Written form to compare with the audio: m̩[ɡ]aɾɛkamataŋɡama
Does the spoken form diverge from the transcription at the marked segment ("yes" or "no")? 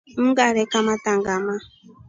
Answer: no